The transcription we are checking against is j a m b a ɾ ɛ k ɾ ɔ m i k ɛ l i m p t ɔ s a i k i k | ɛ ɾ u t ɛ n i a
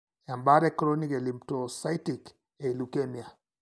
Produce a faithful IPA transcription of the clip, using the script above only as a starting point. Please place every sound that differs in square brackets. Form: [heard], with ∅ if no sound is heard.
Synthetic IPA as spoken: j a m b a ɾ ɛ k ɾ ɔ [n] i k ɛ l i m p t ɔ s a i [t] i k | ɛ [l] u [k] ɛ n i a